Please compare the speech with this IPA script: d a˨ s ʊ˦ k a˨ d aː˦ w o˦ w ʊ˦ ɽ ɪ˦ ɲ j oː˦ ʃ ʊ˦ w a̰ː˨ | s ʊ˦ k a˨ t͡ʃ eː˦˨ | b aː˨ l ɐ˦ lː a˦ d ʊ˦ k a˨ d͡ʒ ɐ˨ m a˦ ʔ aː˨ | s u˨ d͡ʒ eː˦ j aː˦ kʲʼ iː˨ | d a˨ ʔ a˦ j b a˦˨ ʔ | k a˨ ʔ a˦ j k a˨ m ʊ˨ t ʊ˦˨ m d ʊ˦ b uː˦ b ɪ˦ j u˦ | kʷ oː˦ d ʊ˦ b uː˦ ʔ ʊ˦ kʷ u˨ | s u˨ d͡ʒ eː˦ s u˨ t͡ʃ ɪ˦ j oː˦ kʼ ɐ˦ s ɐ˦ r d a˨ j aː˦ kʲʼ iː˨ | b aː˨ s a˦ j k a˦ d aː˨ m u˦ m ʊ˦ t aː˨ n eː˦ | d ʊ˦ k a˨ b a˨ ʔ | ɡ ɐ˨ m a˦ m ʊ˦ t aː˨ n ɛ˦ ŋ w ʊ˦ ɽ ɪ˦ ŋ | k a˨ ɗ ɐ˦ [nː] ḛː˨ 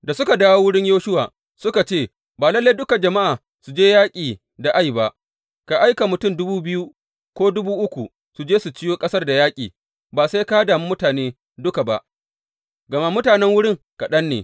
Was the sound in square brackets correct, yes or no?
yes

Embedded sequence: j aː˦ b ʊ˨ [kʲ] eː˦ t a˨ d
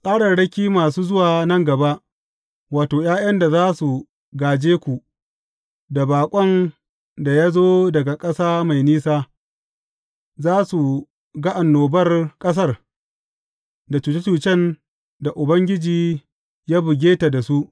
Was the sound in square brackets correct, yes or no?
no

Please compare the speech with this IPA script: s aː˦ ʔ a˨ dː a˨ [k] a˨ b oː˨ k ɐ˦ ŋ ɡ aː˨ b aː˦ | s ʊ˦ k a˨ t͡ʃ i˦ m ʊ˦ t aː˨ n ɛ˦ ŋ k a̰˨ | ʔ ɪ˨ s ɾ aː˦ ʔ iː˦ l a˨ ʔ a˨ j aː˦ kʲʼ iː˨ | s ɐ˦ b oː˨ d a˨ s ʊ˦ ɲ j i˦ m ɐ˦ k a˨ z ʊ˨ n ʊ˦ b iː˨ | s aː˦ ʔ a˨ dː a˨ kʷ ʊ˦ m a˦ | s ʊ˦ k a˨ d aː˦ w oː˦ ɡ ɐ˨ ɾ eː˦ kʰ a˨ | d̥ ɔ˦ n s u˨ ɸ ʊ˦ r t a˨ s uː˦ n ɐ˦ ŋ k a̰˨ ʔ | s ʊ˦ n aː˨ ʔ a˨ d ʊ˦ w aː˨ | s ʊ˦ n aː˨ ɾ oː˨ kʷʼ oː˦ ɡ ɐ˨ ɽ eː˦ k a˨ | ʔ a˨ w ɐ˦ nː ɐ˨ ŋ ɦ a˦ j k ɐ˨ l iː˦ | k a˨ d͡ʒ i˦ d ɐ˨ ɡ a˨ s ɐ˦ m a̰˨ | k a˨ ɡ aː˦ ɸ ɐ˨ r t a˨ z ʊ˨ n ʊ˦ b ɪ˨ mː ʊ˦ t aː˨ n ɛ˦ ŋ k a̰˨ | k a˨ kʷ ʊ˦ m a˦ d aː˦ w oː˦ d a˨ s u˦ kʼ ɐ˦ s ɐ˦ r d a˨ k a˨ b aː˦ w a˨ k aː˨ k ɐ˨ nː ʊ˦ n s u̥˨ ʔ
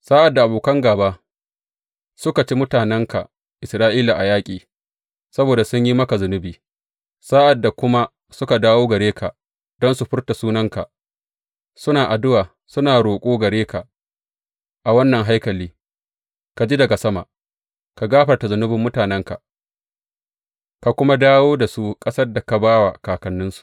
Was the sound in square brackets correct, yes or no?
no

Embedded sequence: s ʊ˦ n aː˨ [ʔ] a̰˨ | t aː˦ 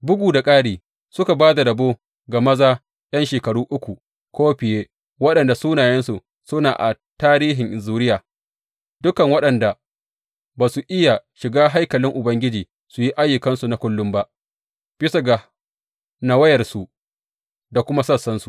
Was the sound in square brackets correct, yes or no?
yes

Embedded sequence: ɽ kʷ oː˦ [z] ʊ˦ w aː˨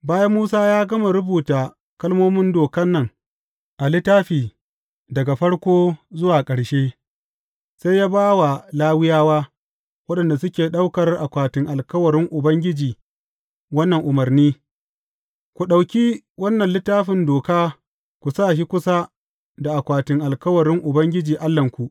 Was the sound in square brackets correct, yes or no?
yes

